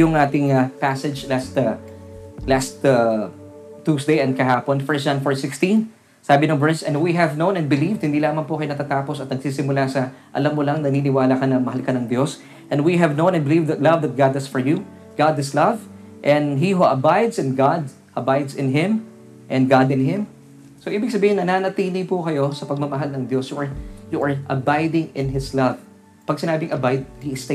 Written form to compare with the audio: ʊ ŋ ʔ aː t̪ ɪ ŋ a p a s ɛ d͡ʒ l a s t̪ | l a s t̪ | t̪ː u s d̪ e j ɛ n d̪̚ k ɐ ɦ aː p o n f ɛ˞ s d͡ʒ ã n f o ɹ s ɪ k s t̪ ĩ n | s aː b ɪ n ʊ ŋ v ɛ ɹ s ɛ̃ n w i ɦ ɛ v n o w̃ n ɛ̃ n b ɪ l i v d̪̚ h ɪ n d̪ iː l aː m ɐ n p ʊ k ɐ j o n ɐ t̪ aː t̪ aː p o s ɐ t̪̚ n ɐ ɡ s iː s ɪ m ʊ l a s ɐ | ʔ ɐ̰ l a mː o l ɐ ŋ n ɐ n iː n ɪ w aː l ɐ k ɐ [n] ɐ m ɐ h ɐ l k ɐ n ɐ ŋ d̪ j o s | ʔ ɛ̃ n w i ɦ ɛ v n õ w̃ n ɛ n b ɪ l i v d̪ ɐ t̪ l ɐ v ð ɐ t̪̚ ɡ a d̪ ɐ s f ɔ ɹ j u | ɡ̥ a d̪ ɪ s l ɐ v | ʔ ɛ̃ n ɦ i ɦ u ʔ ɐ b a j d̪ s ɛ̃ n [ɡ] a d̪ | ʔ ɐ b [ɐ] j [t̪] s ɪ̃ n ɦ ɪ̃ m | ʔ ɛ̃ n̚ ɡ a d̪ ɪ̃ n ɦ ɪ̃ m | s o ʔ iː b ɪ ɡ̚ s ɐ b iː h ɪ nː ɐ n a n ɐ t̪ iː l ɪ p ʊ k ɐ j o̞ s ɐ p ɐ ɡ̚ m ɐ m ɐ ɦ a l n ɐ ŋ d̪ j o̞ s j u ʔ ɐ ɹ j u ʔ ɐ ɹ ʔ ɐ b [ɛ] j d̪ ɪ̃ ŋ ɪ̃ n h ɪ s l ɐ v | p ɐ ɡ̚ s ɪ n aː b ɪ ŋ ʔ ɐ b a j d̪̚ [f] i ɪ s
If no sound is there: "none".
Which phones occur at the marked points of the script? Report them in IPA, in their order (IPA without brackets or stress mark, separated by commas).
n, ɡ, a, d̪, a, h